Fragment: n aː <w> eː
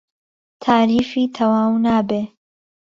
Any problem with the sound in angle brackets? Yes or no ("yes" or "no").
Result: yes